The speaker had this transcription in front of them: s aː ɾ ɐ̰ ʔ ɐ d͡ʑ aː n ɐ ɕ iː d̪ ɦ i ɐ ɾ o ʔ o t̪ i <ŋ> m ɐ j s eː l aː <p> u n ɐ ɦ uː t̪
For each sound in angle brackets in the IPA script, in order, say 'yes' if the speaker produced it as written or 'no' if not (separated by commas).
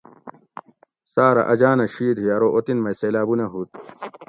no, no